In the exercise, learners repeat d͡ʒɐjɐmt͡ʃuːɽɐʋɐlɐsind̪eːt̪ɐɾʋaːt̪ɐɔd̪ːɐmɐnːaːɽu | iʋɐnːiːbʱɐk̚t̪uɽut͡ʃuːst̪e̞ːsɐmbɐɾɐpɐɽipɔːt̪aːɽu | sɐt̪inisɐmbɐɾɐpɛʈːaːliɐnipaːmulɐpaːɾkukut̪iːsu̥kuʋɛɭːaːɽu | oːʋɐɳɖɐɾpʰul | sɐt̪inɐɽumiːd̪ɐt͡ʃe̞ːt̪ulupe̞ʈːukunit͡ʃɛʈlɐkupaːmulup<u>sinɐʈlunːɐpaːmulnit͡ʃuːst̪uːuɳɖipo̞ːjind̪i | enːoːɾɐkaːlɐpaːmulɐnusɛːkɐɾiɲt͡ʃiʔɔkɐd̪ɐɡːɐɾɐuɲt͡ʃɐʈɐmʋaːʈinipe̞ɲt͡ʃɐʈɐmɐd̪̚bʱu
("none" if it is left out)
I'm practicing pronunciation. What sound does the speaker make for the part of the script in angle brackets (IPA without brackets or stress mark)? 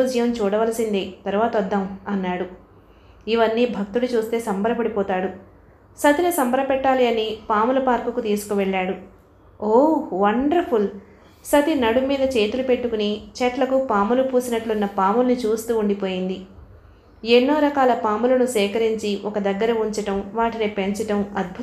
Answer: uː